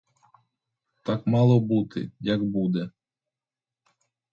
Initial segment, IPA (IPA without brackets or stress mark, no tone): t̪